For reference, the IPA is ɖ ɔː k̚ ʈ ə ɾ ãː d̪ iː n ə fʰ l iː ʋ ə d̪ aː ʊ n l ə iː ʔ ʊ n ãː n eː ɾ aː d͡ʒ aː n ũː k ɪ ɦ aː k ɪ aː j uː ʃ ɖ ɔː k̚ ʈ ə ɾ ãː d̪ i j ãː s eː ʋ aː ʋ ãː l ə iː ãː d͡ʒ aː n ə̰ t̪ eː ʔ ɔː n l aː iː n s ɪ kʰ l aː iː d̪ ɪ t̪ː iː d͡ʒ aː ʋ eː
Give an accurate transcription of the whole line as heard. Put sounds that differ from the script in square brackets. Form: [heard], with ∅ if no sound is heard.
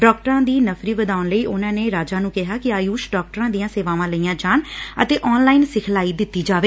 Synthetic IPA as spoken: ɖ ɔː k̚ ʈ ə ɾ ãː d̪ iː n ə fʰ [ɾ] iː ʋ ə d̪ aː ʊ n l ə iː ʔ ʊ n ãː n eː ɾ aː d͡ʒ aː n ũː k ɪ ɦ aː k ɪ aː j uː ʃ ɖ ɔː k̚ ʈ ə ɾ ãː d̪ i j ãː s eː ʋ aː ʋ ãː l ə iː ãː d͡ʒ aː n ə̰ t̪ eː ʔ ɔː n l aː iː n s ɪ kʰ l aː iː d̪ ɪ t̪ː iː d͡ʒ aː ʋ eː